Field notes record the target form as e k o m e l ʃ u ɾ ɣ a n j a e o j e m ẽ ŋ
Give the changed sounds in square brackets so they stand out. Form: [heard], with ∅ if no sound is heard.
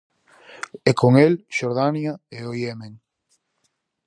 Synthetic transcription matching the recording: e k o [ŋ] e l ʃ [o] ɾ [ð] a n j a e o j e m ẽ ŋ